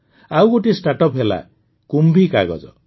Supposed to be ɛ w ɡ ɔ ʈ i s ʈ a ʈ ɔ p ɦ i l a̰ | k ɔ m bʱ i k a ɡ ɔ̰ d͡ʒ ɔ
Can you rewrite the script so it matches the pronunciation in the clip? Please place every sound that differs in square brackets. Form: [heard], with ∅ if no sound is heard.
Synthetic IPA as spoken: [a] w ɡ [o] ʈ i s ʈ a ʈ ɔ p ɦ [e] l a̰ | k [u] m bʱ i k a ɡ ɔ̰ d͡ʒ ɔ